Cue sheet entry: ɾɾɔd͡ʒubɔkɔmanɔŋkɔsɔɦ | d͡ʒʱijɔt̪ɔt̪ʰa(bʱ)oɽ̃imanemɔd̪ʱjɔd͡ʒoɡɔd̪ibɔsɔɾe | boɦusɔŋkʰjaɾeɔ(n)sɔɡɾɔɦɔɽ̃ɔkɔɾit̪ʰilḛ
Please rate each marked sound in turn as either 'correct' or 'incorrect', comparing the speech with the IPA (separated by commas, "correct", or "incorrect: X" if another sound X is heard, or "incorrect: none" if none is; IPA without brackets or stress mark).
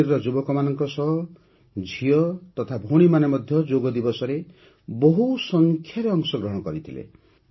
correct, incorrect: ŋ